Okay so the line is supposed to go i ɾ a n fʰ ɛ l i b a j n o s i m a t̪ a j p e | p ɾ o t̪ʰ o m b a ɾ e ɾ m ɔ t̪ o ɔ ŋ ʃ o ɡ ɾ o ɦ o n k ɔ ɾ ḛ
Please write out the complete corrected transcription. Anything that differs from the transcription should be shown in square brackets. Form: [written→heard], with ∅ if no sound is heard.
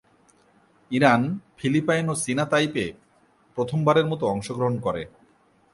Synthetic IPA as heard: i ɾ a n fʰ [ɛ→i] l i [b→p] a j n o s i [m→n] a t̪ a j p e | p ɾ o t̪ʰ o m b a ɾ e ɾ m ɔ t̪ o ɔ ŋ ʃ o ɡ ɾ o ɦ o n k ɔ ɾ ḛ